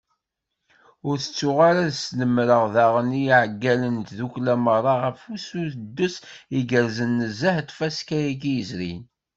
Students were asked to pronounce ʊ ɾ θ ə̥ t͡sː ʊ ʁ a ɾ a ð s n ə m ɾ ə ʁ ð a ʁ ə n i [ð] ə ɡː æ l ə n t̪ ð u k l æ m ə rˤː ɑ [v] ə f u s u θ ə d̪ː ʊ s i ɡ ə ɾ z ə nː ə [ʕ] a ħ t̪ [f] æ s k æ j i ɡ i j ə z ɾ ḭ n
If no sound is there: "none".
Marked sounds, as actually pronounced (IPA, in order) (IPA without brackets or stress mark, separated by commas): ʕ, ʁ, z, f